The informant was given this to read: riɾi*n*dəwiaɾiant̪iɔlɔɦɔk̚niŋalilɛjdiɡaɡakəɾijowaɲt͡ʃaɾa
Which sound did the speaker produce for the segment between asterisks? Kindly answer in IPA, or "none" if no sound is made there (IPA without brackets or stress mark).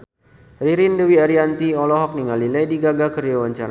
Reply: n